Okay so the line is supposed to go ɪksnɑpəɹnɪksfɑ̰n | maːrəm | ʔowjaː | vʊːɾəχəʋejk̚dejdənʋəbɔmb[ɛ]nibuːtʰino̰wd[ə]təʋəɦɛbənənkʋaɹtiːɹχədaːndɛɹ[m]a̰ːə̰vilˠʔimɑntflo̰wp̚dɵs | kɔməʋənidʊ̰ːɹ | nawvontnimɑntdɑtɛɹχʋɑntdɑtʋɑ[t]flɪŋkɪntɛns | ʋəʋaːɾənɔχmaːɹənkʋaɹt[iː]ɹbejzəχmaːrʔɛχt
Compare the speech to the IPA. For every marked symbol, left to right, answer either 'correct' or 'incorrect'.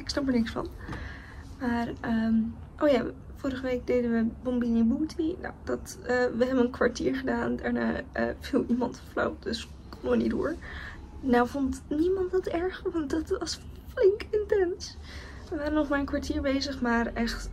incorrect, incorrect, incorrect, incorrect, correct

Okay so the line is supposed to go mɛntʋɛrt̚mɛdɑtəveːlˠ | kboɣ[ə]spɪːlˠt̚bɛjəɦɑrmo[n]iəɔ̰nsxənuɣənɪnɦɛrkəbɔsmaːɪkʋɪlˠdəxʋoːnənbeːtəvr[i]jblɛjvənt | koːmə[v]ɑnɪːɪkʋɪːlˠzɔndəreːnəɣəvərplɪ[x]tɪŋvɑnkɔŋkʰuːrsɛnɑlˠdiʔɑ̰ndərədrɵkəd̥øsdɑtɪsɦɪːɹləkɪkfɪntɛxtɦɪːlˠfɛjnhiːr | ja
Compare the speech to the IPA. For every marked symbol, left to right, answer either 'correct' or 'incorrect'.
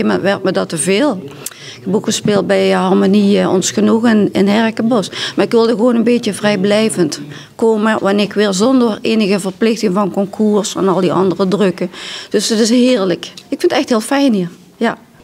correct, correct, incorrect, incorrect, correct

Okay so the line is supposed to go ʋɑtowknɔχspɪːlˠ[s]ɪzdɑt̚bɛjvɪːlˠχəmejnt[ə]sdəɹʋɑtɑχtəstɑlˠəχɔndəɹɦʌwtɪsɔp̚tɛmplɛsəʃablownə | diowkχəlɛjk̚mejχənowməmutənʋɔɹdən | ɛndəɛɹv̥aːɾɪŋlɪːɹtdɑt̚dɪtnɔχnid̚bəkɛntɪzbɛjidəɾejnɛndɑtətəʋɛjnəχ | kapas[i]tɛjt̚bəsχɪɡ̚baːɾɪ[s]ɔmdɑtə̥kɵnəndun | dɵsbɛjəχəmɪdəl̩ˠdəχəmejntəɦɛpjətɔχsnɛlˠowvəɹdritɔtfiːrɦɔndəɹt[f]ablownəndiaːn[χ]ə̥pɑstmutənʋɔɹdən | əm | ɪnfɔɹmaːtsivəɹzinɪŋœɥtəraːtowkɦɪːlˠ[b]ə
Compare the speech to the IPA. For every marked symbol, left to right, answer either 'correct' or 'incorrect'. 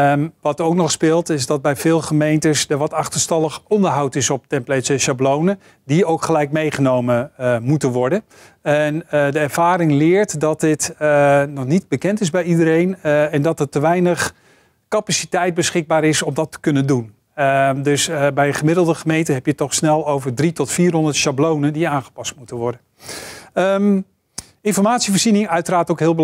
incorrect, correct, correct, correct, incorrect, correct, correct

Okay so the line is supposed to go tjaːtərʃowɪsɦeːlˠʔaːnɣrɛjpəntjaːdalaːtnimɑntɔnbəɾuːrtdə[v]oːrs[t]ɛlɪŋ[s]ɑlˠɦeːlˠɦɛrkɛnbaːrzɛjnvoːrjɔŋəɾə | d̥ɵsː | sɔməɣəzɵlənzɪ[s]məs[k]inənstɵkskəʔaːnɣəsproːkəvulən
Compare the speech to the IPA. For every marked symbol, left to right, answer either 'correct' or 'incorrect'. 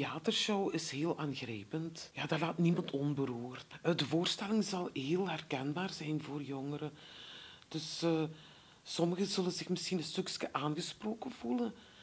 correct, correct, incorrect, incorrect, incorrect

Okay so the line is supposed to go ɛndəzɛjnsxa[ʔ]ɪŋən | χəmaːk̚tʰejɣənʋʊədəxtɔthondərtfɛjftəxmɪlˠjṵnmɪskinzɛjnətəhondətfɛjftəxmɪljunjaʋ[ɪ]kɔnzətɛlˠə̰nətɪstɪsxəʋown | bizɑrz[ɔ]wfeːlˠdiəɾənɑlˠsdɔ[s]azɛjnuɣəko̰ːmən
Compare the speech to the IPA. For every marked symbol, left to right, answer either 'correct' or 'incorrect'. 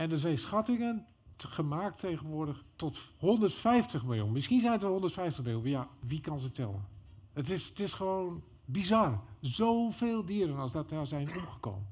incorrect, incorrect, incorrect, incorrect

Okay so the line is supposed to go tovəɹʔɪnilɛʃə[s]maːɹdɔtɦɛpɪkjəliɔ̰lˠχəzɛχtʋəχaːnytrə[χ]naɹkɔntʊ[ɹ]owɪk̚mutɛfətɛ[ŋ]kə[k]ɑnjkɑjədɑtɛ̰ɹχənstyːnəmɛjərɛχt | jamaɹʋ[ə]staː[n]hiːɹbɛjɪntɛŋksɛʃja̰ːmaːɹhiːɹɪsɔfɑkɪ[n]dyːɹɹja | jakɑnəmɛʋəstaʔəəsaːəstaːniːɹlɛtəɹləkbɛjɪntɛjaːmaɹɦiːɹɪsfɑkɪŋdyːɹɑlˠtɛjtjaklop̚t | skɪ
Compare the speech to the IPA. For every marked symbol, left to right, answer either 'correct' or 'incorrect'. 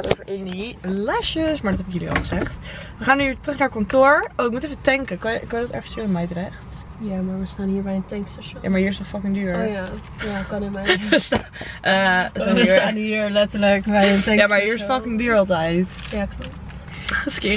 correct, correct, correct, correct, correct, correct, correct, incorrect

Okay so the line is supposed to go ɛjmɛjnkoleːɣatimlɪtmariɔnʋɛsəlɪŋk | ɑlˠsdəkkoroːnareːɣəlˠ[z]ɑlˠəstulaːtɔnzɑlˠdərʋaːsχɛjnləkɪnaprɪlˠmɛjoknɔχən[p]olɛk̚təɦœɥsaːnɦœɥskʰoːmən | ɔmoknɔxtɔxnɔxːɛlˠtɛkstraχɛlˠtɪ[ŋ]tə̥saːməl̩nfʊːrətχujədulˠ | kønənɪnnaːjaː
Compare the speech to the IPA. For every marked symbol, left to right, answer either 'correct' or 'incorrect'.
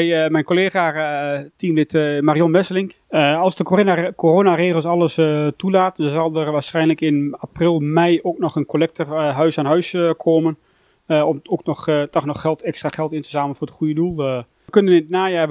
incorrect, incorrect, incorrect

